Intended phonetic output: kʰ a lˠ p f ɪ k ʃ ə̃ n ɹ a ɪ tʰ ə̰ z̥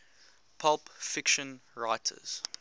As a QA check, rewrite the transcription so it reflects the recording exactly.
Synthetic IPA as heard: pʰ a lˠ p f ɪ k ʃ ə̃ n ɹ a ɪ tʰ ə̰ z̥